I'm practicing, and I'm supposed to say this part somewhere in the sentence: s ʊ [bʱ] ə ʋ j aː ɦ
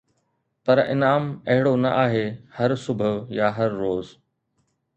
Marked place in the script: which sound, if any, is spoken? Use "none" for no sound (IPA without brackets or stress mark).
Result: bʱ